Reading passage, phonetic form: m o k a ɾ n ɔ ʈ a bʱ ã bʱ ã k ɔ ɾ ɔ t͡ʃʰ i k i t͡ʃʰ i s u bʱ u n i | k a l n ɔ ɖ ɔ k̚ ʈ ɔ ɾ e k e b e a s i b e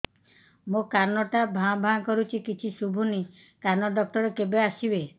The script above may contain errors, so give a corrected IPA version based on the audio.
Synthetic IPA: m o k a ɾ n ɔ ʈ a bʱ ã bʱ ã k ɔ ɾ u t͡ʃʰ i k i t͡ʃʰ i s u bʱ u n i | k a ɾ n ɔ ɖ ɔ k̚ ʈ ɔ ɾ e k e b e a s i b e